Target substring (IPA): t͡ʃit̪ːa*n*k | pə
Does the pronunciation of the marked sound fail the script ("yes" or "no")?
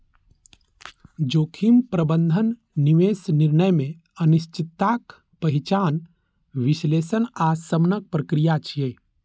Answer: yes